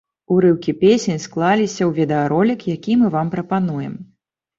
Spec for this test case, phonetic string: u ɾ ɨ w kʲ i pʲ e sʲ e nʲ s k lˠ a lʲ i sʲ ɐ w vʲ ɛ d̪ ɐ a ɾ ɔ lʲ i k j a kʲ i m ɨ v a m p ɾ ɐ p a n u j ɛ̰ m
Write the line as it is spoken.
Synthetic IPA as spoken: u ɾ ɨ w kʲ i pʲ e sʲ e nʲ s k lˠ a lʲ i sʲ ɐ w vʲ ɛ d̪ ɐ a ɾ ɔ lʲ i k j a kʲ i m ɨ v a m p ɾ ɐ p a n u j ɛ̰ m